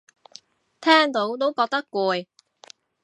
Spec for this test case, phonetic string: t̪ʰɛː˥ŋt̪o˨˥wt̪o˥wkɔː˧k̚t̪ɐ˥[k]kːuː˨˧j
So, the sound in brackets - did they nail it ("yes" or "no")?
yes